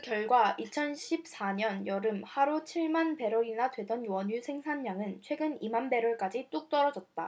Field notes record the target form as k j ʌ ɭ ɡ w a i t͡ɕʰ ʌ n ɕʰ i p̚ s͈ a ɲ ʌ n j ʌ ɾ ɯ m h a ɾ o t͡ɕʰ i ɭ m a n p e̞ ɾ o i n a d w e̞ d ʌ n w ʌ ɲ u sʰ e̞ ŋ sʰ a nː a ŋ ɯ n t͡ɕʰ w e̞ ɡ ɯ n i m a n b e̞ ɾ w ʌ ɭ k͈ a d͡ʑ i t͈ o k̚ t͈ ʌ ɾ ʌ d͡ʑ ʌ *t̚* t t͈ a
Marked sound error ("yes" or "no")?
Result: no